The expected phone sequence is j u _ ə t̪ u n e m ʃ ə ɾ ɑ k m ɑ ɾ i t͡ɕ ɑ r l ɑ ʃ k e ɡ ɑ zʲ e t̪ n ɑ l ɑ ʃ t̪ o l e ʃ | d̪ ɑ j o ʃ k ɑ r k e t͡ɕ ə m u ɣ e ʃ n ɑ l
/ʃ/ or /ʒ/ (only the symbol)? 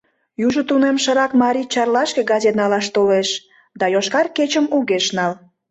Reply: ʒ